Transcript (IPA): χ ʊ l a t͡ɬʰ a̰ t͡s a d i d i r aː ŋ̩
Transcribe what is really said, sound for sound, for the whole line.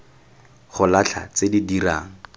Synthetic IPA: χ ʊ l a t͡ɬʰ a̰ t͡s e d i d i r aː ŋ̩